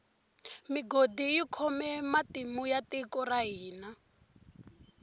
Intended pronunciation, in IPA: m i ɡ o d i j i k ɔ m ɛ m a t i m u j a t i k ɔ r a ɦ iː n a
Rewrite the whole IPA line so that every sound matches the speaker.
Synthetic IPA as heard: m i ɡ o d i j i kʰ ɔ m ɛ m a t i m u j a t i k ɔ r a ɦ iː n a

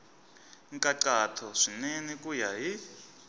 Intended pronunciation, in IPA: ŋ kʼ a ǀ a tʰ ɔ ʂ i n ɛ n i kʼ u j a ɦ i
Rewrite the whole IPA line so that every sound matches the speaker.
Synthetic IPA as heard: ŋ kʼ a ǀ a tʰ ɔ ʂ i n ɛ n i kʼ u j a ɦ i

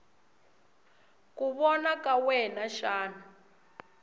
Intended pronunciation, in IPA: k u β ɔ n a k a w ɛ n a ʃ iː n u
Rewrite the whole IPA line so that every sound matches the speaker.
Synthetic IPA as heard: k u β ɔ n a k a w ɛ n a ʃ aː n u

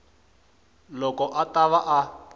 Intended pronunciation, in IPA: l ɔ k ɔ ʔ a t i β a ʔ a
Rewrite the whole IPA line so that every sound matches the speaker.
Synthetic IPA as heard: l ɔ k ɔ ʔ a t a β a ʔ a

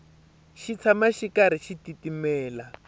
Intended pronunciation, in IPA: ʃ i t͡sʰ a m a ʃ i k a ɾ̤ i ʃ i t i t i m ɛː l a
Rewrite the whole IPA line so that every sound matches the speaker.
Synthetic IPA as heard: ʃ i t͡sʰ a m a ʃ i k a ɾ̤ i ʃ i t i t i m ɛː l a

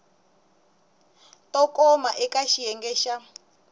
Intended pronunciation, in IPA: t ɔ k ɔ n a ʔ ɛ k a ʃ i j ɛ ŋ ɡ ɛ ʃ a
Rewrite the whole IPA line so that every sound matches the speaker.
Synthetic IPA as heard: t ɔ k ɔ m a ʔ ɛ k a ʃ i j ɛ ŋ ɡ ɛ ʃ a

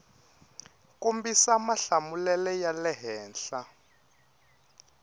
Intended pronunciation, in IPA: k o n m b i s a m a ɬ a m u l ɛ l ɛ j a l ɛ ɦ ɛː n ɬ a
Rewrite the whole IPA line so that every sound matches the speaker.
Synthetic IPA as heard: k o m b i s a m a ɬ a m u l ɛ l ɛ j a l ɛ ɦ ɛː n ɬ a

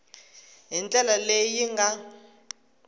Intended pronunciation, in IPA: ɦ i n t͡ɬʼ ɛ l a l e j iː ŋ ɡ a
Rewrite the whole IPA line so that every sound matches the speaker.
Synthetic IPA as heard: ɦ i n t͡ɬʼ ɛ l a l e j i ŋ ɡ a

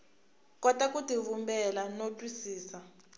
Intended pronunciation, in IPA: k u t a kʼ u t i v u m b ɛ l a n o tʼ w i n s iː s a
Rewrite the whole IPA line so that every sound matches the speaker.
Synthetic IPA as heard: k ɔ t a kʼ u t i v u m b ɛ l a n o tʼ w i s iː s a

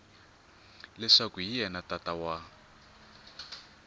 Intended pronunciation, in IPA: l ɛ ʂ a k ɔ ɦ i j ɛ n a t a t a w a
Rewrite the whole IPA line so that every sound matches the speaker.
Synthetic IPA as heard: l ɛ ʂ a k u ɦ i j ɛ n a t a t a w a

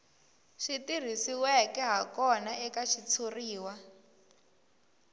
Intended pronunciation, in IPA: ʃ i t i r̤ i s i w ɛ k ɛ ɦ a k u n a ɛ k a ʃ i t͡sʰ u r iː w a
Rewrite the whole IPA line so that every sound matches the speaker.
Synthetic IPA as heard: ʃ i t i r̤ i s i w ɛ k ɛ ɦ a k ɔ n a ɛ k a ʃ i t͡sʰ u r iː w a

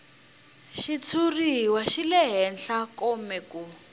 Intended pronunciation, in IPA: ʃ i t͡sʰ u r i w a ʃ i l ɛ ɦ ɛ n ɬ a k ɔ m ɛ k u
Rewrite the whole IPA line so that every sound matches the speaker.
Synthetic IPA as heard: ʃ i t͡sʰ u r i w a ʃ i l ɛ ɦ ɛ n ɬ a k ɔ m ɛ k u

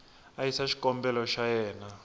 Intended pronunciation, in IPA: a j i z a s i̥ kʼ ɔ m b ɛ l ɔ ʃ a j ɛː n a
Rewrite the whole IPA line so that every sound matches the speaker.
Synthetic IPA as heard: a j i s a ʃ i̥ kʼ ɔ m b ɛ l ɔ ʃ a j ɛː n a

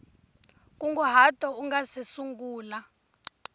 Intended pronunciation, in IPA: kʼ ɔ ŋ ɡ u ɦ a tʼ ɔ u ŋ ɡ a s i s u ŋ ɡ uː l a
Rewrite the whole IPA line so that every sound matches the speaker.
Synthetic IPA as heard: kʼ u ŋ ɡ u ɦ a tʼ ɔ u ŋ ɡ a s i s u ŋ ɡ uː l a

